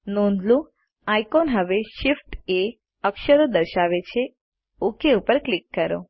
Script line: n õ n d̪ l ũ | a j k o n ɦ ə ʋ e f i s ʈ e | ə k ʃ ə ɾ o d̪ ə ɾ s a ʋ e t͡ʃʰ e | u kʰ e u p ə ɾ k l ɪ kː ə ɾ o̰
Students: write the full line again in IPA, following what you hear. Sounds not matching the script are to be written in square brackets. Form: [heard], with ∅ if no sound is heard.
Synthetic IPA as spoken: n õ n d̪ l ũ | a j k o n ɦ ə ʋ e [ʃ] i [f] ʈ e | ə k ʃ ə ɾ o d̪ ə ɾ [ʃ] a ʋ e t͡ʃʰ e | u [k] e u p ə ɾ k l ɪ kː ə ɾ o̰